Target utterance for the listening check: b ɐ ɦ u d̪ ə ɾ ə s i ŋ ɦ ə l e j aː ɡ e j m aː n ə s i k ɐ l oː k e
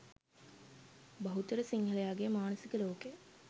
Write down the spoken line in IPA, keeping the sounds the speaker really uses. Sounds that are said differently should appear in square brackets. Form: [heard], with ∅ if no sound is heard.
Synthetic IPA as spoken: b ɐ ɦ u [t̪] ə ɾ ə s i ŋ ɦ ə l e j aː ɡ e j m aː n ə s i k [ə] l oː k e